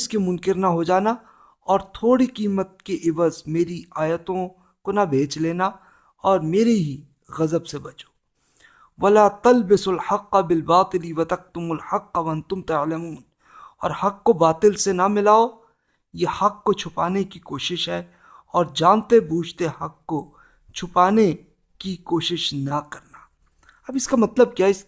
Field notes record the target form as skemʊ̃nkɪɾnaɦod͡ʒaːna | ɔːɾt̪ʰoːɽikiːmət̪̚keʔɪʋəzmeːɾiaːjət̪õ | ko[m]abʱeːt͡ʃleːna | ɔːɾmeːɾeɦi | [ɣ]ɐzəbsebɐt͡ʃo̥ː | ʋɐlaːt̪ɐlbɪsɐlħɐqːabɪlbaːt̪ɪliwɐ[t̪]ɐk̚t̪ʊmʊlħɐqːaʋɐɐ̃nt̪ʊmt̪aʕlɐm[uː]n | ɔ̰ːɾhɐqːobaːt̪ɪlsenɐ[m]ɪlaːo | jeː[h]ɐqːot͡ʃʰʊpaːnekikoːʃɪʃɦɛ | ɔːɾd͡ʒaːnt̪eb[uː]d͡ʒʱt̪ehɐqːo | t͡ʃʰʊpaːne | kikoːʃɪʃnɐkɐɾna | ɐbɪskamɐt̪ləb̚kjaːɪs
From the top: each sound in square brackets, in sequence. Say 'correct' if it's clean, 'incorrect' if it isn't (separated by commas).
incorrect, correct, correct, correct, correct, correct, correct